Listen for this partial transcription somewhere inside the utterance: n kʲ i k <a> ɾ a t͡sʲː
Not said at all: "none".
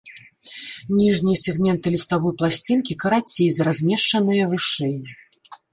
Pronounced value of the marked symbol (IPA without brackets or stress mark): ɐ